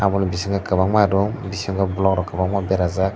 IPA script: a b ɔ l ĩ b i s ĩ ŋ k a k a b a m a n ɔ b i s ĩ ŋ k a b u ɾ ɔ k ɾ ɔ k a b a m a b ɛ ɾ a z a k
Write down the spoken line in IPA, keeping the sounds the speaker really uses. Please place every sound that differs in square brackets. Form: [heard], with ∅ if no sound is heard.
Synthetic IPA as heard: a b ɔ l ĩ b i s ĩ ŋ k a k a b a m a [d] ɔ b i s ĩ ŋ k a b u [l] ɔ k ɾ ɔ k a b a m a b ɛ ɾ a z a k